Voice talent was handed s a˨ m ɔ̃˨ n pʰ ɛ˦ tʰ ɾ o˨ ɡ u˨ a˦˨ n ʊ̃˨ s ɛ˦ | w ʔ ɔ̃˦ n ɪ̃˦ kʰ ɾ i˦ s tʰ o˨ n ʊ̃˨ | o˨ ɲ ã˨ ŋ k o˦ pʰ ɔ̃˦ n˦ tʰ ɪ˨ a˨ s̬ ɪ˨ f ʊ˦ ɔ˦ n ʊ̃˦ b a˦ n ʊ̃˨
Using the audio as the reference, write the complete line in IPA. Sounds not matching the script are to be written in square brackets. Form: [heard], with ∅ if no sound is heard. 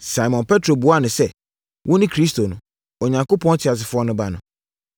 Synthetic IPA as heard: s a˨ m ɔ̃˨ n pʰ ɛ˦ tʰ ɾ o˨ [b] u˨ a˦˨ n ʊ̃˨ s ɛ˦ | w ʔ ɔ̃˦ n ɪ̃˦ kʰ ɾ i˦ s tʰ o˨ n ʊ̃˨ | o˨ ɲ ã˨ ŋ k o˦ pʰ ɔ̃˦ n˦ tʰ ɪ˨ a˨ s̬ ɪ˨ f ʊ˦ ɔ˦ n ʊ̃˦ b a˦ n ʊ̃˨

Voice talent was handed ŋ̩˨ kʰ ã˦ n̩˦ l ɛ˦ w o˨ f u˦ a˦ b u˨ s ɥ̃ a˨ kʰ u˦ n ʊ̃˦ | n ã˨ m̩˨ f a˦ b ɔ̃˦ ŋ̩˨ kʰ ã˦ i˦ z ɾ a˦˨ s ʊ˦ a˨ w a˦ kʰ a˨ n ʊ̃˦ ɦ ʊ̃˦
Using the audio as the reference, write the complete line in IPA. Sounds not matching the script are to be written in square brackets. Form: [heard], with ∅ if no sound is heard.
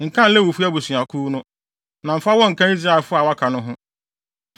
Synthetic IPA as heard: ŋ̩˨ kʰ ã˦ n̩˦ l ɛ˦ w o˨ f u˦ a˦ b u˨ s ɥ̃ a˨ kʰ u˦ n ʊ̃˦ | n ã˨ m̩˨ f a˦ [w] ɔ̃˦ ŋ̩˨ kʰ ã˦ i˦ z ɾ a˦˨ [f] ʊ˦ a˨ w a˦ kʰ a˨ n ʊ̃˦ ɦ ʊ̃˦

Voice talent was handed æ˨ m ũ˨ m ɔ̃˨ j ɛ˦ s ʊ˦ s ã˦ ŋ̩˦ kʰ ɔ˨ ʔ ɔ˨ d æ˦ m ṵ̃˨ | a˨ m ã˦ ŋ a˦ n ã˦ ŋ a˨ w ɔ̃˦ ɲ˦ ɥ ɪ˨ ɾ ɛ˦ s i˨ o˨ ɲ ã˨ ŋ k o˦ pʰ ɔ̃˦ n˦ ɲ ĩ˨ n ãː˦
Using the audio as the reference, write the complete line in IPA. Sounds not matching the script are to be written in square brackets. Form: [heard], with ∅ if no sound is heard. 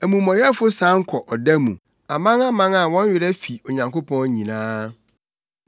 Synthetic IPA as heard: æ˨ m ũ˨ m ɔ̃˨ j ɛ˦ [f] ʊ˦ s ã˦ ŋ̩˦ kʰ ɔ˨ ʔ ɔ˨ d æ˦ m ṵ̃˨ | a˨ m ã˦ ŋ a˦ [m] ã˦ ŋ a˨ w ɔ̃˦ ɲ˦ ɥ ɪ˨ ɾ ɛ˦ [f] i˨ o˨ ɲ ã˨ ŋ k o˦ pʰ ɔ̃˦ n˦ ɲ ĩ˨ n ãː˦

